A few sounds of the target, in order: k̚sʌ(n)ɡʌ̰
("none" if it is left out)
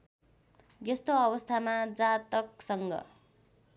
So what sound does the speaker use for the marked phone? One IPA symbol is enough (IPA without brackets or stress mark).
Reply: ŋ